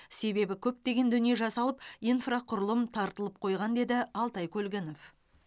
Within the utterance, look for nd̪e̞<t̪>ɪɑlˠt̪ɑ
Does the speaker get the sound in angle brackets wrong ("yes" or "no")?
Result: yes